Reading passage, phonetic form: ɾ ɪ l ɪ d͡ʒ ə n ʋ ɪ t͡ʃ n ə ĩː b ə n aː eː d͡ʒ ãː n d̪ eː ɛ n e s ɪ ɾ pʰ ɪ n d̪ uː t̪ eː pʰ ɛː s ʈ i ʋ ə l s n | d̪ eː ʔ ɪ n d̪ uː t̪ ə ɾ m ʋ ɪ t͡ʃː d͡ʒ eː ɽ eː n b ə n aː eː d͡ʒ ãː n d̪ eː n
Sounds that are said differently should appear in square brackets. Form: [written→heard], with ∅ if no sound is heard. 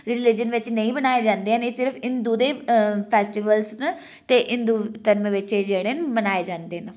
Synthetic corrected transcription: ɾ ɪ l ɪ d͡ʒ ə n ʋ ɪ t͡ʃ n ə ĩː b ə n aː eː d͡ʒ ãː n d̪ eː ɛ n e s ɪ ɾ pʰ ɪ n d̪ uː [t̪→d̪] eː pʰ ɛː s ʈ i ʋ ə l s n | [d̪→t̪] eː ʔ ɪ n d̪ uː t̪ ə ɾ m ʋ ɪ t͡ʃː d͡ʒ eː ɽ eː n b ə n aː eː d͡ʒ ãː n d̪ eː n